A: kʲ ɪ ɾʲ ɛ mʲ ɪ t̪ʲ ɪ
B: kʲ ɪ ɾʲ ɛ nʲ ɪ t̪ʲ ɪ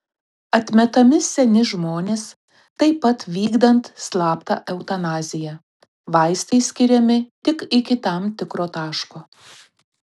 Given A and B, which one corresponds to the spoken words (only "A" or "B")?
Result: A